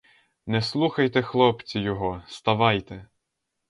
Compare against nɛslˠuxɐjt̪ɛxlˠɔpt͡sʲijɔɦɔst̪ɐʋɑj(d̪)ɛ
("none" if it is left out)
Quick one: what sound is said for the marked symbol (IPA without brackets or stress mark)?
t̪